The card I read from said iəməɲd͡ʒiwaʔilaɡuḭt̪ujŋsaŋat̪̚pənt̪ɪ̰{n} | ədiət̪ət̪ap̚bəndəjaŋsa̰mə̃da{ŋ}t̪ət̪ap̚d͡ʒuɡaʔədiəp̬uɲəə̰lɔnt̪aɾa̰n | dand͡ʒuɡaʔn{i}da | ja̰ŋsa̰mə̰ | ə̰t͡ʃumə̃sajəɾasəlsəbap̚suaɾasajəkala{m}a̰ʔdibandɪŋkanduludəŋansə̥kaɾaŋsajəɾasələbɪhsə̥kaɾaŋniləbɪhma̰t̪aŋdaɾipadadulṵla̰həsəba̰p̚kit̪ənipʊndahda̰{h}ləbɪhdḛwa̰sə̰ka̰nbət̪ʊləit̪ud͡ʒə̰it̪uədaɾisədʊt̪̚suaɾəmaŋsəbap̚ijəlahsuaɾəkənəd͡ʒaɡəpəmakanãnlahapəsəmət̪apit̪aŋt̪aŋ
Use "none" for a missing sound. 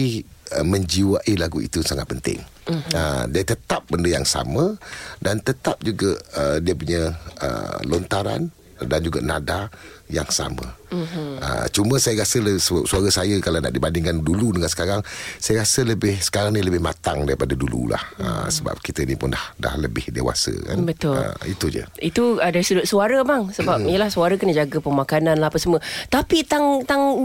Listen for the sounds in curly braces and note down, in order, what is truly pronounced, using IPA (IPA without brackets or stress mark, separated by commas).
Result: ŋ, n, a, n, h